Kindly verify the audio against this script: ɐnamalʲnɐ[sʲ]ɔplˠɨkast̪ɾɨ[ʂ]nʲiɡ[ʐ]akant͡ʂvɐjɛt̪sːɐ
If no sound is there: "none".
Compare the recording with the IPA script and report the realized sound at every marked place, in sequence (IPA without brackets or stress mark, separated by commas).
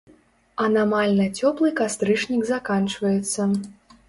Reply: t͡sʲ, ʂ, z